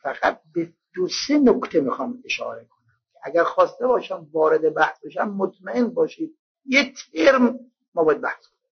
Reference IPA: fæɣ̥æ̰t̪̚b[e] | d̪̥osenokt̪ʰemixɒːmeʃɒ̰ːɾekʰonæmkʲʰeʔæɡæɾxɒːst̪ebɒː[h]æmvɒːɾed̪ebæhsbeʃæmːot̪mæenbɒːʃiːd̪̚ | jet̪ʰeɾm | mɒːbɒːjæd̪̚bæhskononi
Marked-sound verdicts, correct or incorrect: correct, incorrect: ʃ

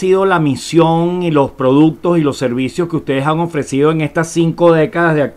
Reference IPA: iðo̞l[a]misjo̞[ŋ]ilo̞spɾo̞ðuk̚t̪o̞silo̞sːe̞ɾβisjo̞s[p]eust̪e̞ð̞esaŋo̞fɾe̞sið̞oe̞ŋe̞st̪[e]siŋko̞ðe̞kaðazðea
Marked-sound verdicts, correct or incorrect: correct, correct, incorrect: k, incorrect: a

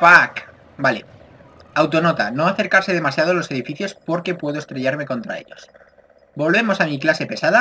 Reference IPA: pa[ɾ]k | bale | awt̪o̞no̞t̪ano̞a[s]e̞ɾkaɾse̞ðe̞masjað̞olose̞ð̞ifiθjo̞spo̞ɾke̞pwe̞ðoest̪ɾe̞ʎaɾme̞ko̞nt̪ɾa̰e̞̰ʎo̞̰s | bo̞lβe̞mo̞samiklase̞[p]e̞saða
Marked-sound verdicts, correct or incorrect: incorrect: none, incorrect: θ, correct

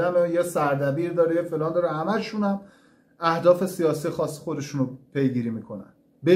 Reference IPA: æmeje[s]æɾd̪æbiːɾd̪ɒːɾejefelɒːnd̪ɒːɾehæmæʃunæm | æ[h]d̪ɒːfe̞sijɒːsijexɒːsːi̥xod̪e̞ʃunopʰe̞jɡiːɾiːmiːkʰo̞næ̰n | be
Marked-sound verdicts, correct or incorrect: correct, correct

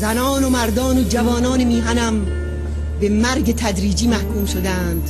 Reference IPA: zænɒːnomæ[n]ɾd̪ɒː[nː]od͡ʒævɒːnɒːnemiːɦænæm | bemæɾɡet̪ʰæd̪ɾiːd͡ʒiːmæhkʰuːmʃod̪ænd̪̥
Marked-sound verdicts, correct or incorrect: incorrect: none, incorrect: n

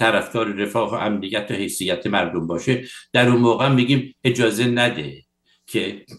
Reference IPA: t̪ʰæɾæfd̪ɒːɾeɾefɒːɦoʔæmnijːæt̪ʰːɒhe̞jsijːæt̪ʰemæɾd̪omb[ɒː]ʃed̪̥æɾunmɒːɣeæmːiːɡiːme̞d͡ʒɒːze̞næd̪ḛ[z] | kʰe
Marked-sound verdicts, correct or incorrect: correct, incorrect: none

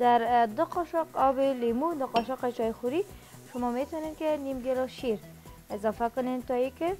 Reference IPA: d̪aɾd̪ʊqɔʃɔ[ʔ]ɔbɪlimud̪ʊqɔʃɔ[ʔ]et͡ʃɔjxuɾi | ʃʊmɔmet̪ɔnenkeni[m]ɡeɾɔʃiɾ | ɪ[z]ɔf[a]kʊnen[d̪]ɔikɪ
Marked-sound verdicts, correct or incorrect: incorrect: q, incorrect: q, correct, correct, correct, incorrect: t̪

